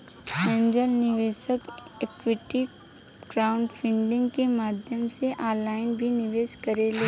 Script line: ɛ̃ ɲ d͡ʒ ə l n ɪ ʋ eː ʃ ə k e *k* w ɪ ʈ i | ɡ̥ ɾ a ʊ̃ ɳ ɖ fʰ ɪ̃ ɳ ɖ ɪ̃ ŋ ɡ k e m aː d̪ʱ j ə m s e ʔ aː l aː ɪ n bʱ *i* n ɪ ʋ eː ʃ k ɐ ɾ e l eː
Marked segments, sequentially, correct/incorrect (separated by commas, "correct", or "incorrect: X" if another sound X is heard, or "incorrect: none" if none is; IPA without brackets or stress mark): correct, correct